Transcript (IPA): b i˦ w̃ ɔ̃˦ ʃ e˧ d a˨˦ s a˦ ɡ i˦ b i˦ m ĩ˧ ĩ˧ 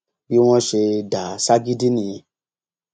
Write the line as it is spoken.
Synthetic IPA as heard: b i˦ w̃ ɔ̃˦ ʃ e˧ d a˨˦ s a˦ ɡ i˦ d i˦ n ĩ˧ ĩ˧